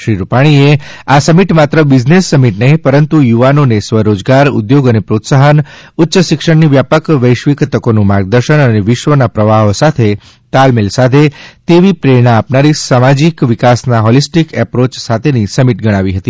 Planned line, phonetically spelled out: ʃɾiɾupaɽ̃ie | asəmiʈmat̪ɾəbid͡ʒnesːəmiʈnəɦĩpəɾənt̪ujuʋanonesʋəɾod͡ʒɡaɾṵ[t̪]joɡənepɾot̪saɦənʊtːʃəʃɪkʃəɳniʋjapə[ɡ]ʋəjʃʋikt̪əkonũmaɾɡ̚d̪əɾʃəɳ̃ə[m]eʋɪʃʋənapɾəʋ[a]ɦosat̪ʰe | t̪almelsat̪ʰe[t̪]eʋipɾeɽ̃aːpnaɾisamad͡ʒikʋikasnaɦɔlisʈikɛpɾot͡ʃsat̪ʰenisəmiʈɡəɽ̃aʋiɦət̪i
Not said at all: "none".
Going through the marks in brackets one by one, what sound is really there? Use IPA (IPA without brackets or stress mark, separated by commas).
d̪, k, n, a, t̪